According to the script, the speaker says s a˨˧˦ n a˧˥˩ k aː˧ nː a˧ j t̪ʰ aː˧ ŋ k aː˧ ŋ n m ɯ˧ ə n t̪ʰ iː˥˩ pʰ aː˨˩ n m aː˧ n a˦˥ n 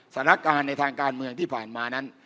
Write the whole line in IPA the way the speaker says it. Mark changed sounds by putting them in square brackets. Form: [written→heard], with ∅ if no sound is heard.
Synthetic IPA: s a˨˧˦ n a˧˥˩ k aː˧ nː a˧ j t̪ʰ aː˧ ŋ k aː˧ [ŋ→∅] n m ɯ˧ ə [n→ŋ] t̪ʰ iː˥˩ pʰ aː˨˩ n m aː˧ n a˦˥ n